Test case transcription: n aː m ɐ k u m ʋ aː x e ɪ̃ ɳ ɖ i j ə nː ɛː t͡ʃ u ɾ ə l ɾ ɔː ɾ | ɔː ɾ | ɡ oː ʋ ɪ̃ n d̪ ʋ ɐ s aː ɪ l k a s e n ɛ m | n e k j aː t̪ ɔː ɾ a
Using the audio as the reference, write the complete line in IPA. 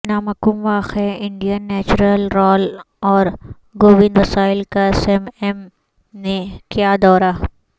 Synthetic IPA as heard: n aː m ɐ k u m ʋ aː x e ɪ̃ ɳ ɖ i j ə nː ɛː t͡ʃ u ɾ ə l ɾ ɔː l | ɔː ɾ | ɡ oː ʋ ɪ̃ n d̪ ʋ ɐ s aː ɪ l k a s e m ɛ m | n e k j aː d̪ ɔː ɾ a